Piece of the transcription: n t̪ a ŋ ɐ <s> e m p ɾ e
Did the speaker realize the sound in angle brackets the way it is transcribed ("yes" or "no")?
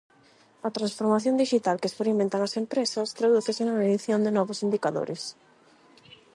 yes